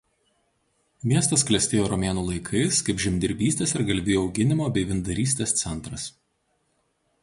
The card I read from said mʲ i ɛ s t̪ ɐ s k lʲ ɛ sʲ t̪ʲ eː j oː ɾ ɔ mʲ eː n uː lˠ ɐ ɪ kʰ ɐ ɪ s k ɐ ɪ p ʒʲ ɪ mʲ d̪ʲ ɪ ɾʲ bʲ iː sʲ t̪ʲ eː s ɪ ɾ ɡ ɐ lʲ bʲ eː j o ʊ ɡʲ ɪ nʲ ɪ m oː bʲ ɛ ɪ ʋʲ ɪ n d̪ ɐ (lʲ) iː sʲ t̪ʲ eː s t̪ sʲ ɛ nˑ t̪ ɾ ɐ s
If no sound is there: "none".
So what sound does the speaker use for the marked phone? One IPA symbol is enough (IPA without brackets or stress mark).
ɾʲ